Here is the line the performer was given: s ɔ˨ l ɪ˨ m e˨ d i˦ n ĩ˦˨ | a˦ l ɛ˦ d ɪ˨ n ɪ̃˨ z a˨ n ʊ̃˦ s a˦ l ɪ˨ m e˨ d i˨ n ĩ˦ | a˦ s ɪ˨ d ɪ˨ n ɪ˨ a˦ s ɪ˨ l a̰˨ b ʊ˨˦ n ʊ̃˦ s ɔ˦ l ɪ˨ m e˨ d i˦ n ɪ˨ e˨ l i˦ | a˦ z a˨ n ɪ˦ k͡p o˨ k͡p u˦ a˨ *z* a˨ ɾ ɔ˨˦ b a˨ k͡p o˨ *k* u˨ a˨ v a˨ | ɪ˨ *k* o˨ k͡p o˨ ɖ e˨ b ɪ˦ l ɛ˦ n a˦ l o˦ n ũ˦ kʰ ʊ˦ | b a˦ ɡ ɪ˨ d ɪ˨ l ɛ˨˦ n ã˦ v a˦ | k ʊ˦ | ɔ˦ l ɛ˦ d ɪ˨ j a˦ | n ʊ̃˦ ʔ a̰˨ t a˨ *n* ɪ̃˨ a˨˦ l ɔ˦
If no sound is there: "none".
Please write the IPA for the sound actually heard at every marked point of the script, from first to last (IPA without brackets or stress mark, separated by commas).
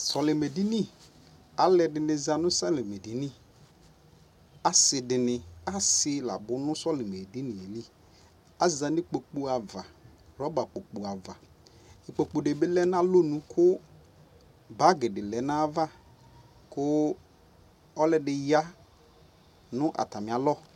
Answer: v, k͡p, k͡p, m